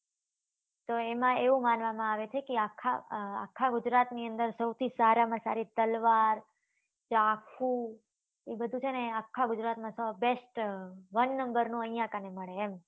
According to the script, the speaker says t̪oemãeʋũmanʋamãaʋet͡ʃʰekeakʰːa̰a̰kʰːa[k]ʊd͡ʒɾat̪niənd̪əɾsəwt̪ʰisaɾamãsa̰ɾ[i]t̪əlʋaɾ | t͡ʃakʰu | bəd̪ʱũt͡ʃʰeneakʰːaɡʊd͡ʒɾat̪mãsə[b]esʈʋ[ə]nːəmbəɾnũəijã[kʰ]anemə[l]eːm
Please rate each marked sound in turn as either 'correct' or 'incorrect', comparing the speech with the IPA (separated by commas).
incorrect, correct, correct, correct, incorrect, incorrect